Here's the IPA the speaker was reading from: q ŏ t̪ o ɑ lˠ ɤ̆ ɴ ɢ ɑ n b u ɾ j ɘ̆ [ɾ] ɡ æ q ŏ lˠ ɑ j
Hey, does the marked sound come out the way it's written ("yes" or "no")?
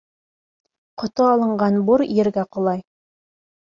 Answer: yes